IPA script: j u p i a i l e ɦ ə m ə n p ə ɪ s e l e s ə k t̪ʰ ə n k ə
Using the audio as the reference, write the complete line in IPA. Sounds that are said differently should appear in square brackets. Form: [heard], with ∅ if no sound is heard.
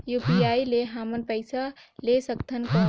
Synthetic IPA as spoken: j u p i a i l e ɦ [a] m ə n p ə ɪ s [a] l e s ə k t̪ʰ ə n k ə